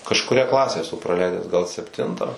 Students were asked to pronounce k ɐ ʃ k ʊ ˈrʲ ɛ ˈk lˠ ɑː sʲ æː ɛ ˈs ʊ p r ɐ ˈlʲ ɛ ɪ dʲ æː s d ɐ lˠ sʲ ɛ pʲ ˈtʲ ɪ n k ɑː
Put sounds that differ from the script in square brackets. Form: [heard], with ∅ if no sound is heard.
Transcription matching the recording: k ɐ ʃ k ʊ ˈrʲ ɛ ˈk lˠ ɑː sʲ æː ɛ ˈs ʊ p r ɐ ˈlʲ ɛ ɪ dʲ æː s [ɡ] ɐ lˠ sʲ ɛ pʲ ˈtʲ ɪ n [t] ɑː